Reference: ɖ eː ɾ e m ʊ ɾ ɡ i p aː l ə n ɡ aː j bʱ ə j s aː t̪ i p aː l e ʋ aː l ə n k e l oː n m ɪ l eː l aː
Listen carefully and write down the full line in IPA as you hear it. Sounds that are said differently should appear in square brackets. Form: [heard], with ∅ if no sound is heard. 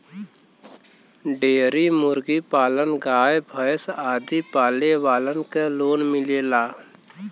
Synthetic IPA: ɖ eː ɾ [i] m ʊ ɾ ɡ i p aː l ə n ɡ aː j bʱ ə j s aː [d̪] i p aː l e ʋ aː l ə n k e l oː n m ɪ l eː l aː